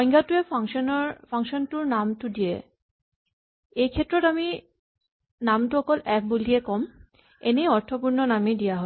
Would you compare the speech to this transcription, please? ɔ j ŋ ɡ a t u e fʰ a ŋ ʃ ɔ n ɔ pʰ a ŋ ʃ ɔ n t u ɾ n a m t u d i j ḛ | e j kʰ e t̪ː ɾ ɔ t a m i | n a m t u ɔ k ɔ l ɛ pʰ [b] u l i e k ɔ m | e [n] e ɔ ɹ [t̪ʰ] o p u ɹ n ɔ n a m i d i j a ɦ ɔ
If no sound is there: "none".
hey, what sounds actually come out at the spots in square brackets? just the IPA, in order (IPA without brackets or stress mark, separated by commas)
b, n, t̪ʰ